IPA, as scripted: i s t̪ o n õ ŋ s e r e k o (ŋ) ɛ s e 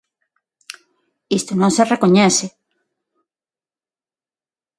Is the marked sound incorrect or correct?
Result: incorrect